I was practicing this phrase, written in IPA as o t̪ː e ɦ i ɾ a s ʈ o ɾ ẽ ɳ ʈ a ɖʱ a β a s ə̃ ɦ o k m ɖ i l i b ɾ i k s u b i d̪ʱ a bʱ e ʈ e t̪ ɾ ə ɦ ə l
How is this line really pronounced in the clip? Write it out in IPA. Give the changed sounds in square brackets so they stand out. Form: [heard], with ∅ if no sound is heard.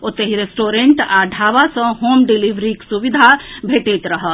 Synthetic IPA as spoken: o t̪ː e ɦ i ɾ [e] s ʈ o ɾ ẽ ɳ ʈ a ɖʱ a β a s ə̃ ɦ o [∅] m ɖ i l i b ɾ i k s u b i d̪ʱ a bʱ e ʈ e t̪ ɾ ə ɦ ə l